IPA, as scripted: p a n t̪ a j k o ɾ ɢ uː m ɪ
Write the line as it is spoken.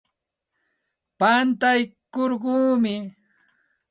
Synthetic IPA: p a n t̪ a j k o ɾ ɢ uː m ɪ